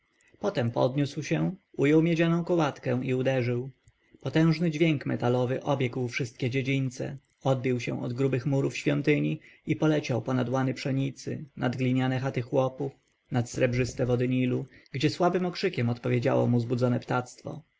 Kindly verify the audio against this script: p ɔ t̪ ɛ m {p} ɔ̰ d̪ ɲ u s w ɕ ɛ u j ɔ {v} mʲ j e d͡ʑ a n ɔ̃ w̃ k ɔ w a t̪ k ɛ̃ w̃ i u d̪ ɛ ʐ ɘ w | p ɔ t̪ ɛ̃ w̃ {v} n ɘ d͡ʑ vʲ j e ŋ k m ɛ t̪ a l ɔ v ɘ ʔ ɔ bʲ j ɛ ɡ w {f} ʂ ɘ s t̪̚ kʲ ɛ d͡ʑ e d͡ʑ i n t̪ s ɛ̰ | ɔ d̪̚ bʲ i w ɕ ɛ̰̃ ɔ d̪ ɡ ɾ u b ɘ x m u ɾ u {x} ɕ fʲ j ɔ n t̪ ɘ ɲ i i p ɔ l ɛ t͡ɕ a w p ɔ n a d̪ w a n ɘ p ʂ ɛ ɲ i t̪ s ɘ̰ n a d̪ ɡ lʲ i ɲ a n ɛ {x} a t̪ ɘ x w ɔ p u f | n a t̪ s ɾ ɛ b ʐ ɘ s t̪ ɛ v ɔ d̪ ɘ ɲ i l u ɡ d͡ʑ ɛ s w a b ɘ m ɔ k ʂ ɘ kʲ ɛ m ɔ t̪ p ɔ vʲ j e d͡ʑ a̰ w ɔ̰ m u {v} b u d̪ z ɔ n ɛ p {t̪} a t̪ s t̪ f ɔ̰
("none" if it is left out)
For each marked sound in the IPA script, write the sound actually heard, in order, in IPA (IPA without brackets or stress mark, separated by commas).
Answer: p, w, ʐ, f, f, x, z, t̪